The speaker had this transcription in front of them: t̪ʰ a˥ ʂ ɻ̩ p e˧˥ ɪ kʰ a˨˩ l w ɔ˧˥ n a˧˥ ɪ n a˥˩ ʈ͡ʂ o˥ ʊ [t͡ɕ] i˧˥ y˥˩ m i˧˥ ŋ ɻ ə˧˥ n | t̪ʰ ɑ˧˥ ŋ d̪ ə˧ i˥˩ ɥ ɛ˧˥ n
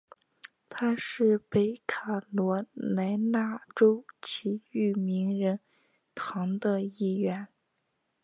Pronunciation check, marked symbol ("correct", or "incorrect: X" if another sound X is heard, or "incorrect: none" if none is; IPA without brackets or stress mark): incorrect: t͡ɕʰ